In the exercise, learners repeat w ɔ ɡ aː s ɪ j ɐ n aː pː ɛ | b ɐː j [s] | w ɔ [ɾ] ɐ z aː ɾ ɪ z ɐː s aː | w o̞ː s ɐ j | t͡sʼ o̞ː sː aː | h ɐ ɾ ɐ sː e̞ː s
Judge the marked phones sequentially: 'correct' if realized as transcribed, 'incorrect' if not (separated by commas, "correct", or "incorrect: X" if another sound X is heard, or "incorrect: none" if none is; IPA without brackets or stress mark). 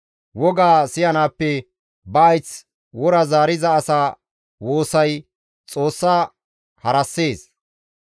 incorrect: t͡s, correct